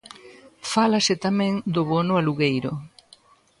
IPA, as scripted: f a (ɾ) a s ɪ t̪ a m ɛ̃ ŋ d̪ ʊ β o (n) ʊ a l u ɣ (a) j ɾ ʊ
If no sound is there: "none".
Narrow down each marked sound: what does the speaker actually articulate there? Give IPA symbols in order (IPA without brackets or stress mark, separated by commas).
l, n, e